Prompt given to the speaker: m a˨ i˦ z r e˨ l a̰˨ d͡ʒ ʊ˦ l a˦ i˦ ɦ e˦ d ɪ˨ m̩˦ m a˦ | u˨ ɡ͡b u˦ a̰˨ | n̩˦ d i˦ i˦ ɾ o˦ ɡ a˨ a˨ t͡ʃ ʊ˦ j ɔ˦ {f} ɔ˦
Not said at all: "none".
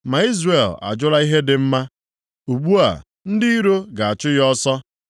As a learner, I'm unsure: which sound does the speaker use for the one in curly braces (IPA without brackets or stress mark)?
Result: s